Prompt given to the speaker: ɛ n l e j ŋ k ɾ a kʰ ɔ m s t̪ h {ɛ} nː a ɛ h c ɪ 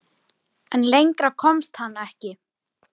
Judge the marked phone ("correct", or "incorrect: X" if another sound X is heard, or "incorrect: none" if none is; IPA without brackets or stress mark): incorrect: a